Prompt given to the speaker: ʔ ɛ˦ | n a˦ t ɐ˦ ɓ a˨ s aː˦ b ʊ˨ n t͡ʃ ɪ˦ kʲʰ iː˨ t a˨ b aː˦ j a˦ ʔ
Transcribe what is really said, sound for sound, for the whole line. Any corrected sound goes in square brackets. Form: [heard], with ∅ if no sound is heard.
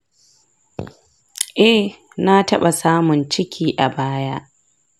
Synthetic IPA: ʔ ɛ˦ | n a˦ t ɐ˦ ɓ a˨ s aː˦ [m] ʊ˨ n t͡ʃ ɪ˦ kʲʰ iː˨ [ʔ] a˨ b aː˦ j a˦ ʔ